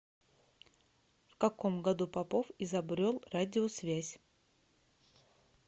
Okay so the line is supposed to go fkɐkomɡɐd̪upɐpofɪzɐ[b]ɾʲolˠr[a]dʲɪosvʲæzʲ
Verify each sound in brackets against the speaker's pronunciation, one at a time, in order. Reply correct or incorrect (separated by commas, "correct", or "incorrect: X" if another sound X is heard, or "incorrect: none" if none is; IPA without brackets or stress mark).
correct, correct